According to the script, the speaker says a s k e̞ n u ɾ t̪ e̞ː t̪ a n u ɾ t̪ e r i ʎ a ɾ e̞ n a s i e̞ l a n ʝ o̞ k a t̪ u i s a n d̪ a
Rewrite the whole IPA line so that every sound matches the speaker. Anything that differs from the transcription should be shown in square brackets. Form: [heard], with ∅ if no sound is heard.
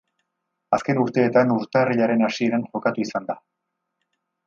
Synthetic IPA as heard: a s k e̞ n u ɾ t̪ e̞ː t̪ a n u ɾ t̪ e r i ʎ a ɾ e̞ n a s i e̞ [ɾ] a n ʝ o̞ k a t̪ u i s a n d̪ a